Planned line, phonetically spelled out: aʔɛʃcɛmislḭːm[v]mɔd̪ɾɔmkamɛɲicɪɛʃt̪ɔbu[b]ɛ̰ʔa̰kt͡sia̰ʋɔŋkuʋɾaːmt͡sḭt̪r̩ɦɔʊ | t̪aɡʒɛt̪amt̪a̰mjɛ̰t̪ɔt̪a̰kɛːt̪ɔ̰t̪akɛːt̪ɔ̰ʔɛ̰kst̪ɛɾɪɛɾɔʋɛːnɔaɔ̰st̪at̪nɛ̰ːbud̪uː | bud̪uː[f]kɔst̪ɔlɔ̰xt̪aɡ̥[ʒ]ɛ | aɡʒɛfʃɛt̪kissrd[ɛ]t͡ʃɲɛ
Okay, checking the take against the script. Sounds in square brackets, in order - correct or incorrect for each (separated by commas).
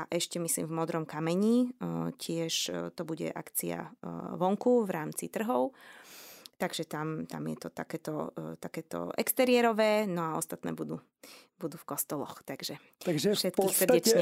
correct, incorrect, correct, correct, correct